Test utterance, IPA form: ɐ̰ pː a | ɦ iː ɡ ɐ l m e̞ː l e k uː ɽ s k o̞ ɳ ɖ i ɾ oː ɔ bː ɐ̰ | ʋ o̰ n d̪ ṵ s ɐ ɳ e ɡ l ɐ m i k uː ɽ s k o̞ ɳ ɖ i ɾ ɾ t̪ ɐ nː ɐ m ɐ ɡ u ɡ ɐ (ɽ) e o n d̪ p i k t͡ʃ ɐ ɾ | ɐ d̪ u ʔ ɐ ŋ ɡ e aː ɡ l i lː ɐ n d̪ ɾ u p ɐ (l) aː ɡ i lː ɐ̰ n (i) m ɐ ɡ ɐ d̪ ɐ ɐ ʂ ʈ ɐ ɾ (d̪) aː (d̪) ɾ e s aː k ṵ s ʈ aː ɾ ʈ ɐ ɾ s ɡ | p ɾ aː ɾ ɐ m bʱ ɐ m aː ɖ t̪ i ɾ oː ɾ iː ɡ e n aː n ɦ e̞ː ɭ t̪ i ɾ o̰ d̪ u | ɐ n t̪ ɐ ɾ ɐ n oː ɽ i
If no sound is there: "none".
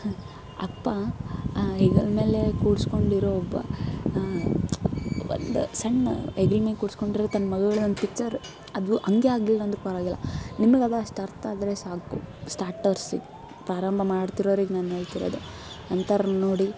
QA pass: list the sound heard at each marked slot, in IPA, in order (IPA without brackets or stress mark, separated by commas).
ɭ, ɾ, i, t̪, d̪